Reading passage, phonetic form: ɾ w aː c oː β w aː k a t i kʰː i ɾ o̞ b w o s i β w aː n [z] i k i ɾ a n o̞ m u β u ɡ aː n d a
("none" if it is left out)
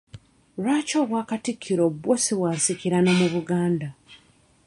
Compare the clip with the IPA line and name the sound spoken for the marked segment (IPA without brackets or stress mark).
s